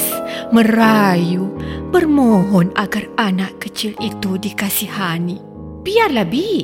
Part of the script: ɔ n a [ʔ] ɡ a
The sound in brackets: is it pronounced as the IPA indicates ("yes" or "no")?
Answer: no